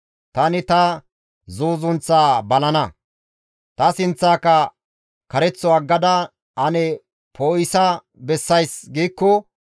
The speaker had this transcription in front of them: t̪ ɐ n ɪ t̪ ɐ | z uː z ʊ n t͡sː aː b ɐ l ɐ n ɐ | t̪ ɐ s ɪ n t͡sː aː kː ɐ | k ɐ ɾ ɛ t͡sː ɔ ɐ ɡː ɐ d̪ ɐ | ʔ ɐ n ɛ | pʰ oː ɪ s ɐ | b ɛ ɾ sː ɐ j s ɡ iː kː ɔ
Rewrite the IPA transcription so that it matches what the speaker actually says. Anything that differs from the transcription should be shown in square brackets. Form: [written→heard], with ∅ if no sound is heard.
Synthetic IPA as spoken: t̪ ɐ n ɪ t̪ ɐ | z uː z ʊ n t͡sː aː b ɐ l ɐ n ɐ | t̪ ɐ s ɪ n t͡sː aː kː ɐ | k ɐ ɾ ɛ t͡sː ɔ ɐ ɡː ɐ d̪ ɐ | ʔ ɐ n ɛ | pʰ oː ɪ s ɐ | b ɛ [ɾ→∅] sː ɐ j s ɡ iː kː ɔ